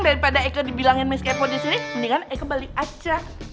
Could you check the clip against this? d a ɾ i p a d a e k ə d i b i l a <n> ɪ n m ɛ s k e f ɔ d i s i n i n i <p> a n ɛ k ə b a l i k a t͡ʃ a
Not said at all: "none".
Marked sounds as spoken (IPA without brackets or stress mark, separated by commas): ŋ, k